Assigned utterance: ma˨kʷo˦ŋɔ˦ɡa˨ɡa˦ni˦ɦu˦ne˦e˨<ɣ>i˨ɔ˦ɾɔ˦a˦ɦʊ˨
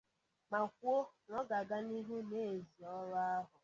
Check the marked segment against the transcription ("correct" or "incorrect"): incorrect